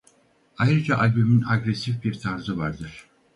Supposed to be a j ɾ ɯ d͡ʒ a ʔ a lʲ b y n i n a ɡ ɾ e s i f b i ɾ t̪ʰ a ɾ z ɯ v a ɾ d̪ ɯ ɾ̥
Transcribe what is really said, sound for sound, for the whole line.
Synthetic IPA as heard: a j ɾ ɯ d͡ʒ a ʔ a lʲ b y m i n a ɡ ɾ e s i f b i ɾ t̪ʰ a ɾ z ɯ v a ɾ d̪ ɯ ɾ̥